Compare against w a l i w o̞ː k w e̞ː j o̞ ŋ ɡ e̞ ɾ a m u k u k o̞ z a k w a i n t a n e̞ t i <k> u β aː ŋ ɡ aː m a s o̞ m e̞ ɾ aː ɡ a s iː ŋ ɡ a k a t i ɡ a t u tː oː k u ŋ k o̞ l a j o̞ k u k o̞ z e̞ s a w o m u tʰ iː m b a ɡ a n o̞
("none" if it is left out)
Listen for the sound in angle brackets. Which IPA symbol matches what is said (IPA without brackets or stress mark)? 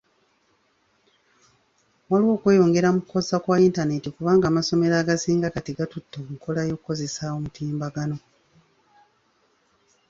k